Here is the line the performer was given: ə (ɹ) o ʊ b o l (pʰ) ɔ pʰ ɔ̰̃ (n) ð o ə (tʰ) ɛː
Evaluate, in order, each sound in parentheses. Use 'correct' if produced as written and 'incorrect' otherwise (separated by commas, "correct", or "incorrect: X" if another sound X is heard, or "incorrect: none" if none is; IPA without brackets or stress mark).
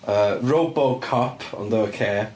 correct, incorrect: kʰ, correct, incorrect: kʰ